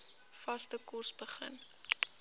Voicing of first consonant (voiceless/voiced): voiceless